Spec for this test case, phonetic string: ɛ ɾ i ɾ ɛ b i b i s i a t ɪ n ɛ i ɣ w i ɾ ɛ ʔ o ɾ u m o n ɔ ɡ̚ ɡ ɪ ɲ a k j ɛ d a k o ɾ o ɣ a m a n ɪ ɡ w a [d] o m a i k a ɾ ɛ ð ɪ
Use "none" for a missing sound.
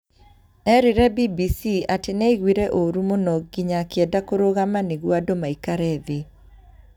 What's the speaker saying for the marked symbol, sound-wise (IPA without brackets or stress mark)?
d